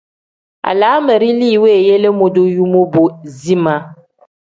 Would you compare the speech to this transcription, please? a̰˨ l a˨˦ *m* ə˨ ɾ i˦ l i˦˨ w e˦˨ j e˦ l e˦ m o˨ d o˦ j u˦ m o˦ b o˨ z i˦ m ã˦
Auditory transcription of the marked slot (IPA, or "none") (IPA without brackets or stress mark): m